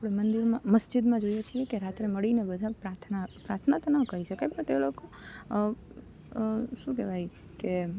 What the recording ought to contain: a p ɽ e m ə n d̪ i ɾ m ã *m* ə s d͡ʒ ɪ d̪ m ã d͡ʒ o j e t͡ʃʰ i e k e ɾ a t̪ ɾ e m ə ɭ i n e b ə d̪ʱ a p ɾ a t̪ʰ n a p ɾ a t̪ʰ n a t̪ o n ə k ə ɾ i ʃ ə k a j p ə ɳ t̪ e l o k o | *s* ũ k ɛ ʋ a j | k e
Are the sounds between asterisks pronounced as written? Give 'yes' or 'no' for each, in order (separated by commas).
yes, no